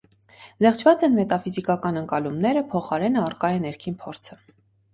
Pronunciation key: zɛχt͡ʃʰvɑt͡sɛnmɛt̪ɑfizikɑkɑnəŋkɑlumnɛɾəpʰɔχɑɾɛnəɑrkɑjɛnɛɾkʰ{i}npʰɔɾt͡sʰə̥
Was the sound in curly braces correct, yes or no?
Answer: yes